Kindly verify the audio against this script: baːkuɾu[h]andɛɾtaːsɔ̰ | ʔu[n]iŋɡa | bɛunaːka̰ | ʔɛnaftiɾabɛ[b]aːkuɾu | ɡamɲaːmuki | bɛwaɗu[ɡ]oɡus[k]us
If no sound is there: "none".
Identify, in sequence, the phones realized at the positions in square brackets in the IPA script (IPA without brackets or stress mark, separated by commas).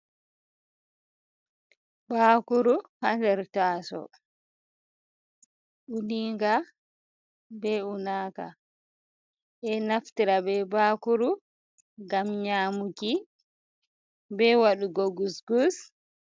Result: h, n, b, ɡ, ɡ